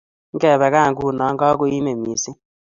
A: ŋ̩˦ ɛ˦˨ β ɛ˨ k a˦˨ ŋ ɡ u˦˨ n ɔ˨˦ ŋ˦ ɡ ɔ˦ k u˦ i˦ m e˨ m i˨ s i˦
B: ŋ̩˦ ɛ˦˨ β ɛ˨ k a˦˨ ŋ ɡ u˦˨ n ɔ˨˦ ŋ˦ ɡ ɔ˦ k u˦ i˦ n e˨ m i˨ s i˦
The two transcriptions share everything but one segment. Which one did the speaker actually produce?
A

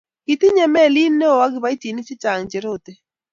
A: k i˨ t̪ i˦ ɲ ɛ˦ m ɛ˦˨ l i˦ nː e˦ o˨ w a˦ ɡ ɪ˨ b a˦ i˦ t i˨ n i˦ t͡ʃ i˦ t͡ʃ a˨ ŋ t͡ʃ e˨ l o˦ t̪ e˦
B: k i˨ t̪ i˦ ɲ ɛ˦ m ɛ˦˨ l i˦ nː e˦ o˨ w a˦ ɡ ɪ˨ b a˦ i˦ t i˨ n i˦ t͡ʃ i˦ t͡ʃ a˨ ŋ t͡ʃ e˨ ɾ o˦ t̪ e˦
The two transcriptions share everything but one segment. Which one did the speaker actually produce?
B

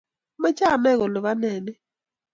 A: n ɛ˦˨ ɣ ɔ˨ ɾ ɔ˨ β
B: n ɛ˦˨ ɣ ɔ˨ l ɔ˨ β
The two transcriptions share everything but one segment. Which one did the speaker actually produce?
B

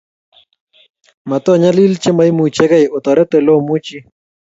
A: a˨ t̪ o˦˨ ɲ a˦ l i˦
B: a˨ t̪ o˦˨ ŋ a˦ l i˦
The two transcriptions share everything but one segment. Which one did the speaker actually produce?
A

